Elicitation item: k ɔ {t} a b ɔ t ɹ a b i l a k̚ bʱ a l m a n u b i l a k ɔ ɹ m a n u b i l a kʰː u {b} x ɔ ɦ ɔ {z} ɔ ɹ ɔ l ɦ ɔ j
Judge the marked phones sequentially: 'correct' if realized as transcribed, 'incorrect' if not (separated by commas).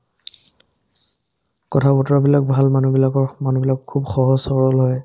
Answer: incorrect, correct, incorrect